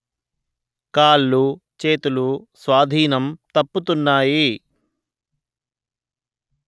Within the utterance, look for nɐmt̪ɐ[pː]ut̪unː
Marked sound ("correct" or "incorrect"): correct